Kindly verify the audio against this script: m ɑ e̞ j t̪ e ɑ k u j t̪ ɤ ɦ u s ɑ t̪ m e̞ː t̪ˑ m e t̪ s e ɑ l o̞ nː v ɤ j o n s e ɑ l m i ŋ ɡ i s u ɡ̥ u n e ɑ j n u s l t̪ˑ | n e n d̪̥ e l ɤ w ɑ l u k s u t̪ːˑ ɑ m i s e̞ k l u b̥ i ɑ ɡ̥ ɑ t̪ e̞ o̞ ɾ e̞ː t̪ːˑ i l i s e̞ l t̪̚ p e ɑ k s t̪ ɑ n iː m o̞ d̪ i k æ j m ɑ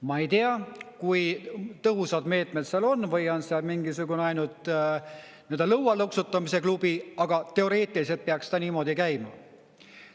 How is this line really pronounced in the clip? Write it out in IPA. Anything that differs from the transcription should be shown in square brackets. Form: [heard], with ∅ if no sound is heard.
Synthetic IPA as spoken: m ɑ e̞ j t̪ e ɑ k u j t̪ ɤ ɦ u s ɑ [d̪] m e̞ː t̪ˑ m e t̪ s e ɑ l o̞ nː v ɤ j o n s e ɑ l m i ŋ ɡ i s u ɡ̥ u n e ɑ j n u [∅] l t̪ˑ | n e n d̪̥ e l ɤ w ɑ l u k s u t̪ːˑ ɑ m i s e̞ k l u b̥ i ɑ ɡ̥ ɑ t̪ e̞ o̞ ɾ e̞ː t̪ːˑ i l i s e̞ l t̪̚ p e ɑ k s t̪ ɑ n iː m o̞ d̪ i k æ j m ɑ